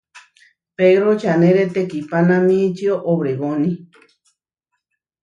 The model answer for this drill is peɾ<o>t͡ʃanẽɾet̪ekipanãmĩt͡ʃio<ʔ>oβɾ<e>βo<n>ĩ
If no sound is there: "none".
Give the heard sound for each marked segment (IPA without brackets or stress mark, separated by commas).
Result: o, ʔ, e, n